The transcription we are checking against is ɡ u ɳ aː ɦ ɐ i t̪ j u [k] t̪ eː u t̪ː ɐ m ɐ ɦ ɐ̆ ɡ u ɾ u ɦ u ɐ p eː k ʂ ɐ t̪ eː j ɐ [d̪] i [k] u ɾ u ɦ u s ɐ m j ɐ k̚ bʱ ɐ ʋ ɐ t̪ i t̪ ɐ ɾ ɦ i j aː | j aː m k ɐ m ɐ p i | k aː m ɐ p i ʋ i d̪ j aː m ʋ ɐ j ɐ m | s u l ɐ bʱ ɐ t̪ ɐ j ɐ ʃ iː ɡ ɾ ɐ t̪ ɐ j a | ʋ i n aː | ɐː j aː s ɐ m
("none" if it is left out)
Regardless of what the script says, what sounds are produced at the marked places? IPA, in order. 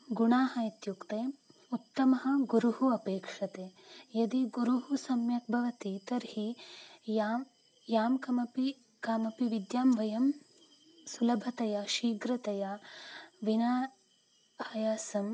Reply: k, d̪, ɡ

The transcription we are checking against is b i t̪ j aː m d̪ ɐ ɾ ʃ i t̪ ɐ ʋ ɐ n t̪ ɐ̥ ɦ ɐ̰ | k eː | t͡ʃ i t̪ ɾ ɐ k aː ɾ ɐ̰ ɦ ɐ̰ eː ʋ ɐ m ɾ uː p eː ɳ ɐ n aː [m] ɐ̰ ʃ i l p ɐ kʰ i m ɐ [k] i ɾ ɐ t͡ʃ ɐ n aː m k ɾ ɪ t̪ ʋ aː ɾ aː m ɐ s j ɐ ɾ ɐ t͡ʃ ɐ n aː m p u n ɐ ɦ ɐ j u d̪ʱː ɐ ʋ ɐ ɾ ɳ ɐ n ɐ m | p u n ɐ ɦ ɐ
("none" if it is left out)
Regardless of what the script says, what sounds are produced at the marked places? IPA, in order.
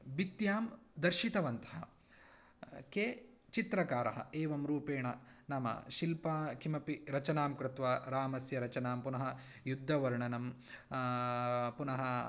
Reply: m, p

